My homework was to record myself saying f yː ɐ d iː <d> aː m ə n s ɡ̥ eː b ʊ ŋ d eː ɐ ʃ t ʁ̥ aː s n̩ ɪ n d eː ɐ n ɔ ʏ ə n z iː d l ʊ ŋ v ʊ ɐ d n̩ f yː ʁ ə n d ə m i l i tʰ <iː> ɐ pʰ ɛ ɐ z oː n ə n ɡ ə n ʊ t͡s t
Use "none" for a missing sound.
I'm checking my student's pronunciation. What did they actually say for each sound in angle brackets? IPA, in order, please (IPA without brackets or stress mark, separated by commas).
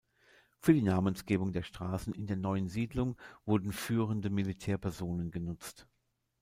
n, ɛː